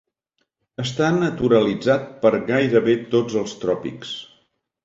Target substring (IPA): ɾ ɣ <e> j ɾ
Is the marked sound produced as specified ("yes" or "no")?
no